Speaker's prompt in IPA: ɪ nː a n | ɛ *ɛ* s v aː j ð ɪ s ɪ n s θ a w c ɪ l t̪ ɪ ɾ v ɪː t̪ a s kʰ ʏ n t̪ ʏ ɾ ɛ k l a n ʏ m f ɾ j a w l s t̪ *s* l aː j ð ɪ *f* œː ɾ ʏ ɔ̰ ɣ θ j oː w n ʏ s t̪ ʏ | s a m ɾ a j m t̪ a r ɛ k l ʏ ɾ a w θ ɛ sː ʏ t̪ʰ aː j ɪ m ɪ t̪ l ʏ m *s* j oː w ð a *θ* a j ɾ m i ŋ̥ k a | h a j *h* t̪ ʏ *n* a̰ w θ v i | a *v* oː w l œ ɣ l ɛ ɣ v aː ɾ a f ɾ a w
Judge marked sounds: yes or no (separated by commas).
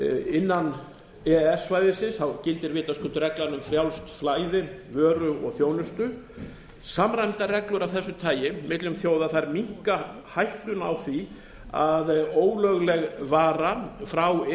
yes, no, no, no, yes, yes, yes, no